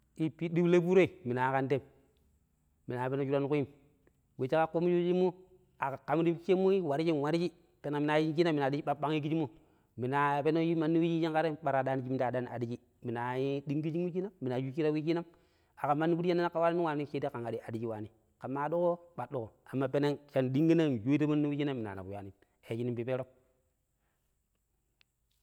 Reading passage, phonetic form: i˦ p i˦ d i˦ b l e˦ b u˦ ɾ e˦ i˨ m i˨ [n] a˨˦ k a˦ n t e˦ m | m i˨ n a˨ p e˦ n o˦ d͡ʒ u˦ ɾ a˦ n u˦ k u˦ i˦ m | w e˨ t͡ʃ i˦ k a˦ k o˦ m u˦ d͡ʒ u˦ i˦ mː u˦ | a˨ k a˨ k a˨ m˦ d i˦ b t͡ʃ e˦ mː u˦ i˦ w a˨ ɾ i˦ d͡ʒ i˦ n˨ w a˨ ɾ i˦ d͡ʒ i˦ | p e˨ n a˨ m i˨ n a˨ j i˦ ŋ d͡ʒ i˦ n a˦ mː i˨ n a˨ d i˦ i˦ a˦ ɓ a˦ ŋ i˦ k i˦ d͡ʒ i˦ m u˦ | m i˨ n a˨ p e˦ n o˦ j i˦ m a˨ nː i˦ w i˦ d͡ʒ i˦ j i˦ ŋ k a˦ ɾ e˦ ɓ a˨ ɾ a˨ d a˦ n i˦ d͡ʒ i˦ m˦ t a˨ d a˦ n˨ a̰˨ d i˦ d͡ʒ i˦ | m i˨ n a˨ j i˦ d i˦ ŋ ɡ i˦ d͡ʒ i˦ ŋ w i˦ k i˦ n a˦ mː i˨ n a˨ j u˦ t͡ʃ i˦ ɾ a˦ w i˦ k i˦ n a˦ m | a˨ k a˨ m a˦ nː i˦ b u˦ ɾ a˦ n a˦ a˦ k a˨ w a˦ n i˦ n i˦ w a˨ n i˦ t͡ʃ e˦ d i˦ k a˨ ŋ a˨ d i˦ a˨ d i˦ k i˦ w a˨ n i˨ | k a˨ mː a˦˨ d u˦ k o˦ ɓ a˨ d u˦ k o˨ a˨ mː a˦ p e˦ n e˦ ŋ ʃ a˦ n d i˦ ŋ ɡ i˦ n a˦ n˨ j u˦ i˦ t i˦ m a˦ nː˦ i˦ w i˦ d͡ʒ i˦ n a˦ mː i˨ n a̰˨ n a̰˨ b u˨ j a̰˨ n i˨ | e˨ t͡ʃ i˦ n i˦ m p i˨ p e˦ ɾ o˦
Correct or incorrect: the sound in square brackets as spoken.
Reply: correct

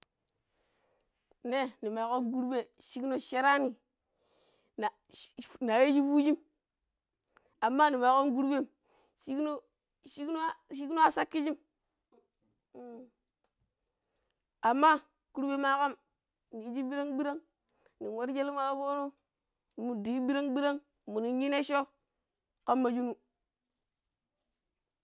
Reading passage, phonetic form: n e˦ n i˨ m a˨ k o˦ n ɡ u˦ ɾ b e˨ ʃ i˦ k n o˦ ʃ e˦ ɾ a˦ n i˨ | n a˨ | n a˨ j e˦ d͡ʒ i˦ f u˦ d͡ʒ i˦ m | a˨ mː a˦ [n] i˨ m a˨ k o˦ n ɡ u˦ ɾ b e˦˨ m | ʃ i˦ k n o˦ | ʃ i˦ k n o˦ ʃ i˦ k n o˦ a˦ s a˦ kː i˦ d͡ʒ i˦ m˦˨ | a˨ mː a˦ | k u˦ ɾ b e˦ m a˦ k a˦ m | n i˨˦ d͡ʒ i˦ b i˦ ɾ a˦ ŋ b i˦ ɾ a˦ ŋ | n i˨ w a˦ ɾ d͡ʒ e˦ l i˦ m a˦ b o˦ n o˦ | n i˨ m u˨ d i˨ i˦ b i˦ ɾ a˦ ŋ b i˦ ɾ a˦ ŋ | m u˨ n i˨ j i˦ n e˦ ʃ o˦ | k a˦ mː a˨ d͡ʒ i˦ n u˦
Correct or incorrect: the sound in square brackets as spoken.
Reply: correct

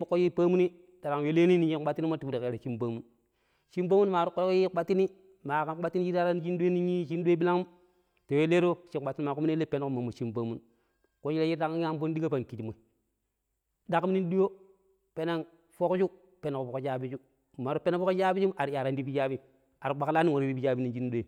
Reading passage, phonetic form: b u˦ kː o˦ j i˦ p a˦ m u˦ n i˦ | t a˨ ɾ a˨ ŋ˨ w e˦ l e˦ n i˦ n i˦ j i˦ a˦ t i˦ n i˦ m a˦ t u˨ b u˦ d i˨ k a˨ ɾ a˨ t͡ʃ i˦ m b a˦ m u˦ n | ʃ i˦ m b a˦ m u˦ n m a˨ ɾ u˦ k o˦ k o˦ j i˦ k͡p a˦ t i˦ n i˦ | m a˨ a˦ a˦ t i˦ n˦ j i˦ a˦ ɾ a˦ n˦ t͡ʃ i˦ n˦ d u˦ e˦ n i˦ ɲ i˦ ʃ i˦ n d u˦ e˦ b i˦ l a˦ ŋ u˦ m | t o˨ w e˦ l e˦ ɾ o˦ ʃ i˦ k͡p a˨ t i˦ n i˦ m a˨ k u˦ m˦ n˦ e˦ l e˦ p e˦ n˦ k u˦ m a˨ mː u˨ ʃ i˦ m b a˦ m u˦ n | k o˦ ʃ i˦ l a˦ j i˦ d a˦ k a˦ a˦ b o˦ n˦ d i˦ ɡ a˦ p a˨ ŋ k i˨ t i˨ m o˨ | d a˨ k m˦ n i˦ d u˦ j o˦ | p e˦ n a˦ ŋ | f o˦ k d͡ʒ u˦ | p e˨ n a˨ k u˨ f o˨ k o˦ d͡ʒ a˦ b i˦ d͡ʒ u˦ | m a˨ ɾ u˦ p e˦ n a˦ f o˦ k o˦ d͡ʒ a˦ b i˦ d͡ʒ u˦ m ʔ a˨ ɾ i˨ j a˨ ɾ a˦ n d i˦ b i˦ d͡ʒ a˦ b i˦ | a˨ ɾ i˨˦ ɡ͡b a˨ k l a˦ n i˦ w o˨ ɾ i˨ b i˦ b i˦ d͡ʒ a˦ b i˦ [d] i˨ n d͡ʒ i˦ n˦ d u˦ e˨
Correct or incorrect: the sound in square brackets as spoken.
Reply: incorrect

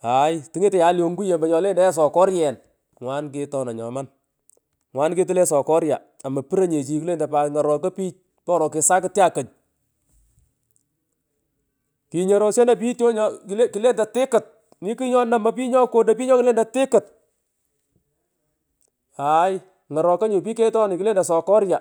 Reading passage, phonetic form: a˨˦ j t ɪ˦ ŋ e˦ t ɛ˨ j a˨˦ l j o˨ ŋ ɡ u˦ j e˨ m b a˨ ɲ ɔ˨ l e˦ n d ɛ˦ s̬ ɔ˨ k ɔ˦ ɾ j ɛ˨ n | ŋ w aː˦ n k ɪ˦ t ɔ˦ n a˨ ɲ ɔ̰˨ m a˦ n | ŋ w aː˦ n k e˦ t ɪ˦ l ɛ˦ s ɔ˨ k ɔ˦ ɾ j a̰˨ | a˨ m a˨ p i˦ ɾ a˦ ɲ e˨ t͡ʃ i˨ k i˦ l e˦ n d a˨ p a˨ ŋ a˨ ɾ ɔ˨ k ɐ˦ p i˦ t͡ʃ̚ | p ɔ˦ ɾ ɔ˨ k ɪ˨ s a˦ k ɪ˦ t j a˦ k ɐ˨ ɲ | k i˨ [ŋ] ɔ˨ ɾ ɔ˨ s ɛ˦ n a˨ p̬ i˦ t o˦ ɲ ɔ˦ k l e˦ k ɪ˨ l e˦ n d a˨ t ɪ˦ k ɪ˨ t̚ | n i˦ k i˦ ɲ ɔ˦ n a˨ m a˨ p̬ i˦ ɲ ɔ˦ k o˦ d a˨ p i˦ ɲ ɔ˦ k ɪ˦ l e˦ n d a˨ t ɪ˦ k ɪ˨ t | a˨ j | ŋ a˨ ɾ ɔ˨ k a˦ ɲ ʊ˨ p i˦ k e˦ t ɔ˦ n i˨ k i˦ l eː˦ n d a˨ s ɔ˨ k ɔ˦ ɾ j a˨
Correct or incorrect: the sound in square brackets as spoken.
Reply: incorrect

